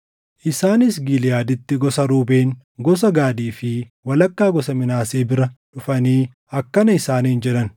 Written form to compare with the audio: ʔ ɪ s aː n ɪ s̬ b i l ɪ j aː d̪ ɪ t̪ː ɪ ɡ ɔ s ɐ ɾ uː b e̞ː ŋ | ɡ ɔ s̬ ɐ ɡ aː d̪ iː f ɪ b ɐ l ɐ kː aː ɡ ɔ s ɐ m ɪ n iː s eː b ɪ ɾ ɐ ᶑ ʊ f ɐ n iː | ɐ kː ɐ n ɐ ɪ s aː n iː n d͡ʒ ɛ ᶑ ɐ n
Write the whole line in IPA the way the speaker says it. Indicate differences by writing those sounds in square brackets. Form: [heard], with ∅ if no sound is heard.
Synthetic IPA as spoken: ʔ ɪ s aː n ɪ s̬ [ɡ] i l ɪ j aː d̪ ɪ t̪ː ɪ ɡ ɔ s ɐ ɾ uː b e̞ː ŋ | ɡ ɔ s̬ ɐ ɡ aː d̪ iː f ɪ [w] ɐ l ɐ kː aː ɡ ɔ s ɐ m ɪ n [aː] s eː b ɪ ɾ ɐ ᶑ ʊ f ɐ n iː | ɐ kː ɐ n ɐ ɪ s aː n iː n d͡ʒ ɛ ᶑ ɐ n